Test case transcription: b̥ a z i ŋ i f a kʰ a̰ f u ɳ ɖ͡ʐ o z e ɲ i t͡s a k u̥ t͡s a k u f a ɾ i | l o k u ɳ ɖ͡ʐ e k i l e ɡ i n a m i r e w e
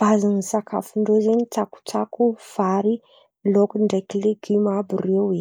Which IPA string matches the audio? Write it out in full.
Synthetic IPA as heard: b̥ a z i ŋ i s a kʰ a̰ f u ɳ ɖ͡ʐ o z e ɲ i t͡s a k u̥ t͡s a k u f a ɾ i | l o k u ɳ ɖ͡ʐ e k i l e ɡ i m a b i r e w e